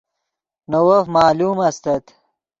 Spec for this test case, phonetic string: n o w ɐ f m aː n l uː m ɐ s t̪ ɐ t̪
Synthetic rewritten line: n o w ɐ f m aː l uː m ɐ s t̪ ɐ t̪